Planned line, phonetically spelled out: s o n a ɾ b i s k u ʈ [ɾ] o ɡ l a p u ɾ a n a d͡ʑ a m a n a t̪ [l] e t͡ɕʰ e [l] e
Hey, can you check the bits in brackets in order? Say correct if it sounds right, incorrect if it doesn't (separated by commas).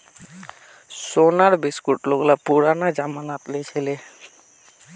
incorrect, correct, correct